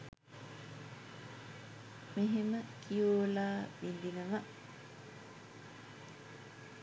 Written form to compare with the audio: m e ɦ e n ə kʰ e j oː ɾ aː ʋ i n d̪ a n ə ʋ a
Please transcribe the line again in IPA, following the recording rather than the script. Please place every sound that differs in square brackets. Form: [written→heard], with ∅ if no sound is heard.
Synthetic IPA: m e ɦ e [n→m] ə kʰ [e→i] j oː [ɾ→l] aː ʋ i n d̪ [a→i] n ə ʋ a